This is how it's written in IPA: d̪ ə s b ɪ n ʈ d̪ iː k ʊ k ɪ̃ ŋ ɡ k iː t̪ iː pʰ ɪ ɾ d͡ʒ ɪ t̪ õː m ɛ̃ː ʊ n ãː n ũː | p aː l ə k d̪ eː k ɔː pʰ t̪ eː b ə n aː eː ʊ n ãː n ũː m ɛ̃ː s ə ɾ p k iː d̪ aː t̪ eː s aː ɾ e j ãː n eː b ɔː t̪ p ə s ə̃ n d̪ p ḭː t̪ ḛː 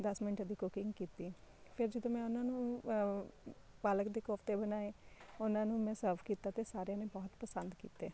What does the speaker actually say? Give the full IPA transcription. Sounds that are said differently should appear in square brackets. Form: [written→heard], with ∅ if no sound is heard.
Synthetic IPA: d̪ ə s [b→m] ɪ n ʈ d̪ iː k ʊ k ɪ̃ ŋ ɡ k iː t̪ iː pʰ ɪ ɾ d͡ʒ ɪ [t̪→d̪] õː m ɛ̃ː ʊ n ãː n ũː | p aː l ə k d̪ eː k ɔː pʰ t̪ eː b ə n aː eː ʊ n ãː n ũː m ɛ̃ː s ə ɾ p k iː [d̪→t̪] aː t̪ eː s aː ɾ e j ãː n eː b ɔː t̪ p ə s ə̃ n d̪ [p→k] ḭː t̪ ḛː